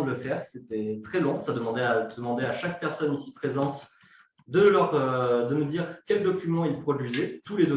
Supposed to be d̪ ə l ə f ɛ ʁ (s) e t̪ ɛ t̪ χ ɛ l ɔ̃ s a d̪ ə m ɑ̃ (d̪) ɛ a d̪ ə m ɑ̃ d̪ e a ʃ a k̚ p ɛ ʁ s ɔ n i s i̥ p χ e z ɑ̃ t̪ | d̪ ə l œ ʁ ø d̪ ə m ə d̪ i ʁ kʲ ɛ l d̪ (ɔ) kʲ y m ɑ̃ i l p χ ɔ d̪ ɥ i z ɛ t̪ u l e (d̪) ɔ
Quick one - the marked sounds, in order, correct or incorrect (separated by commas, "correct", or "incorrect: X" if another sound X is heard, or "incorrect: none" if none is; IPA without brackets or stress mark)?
correct, correct, correct, correct